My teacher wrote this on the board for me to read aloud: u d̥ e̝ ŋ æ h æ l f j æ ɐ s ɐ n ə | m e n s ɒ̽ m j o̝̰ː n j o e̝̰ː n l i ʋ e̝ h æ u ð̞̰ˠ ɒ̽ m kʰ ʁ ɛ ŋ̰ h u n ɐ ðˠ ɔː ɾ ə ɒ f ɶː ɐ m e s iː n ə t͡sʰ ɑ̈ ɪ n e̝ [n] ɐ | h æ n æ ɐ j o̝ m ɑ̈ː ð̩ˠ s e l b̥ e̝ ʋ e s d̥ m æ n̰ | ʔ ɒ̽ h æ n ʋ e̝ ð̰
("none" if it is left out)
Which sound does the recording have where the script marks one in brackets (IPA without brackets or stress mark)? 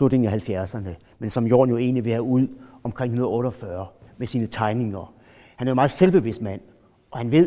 ŋ